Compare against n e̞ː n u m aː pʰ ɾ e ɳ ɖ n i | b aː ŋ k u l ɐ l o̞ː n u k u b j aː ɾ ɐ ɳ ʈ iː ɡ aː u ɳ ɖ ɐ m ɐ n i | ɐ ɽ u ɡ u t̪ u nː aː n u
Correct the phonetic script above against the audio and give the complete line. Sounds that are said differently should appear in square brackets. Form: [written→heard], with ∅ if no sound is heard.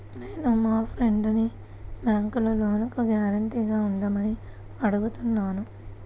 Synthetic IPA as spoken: n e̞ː n u m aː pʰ ɾ e ɳ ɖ n i | b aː ŋ k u l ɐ l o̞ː n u k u [b→ɡ] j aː ɾ ɐ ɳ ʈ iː ɡ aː u ɳ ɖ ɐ m ɐ n i | ɐ ɽ u ɡ u t̪ u nː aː n u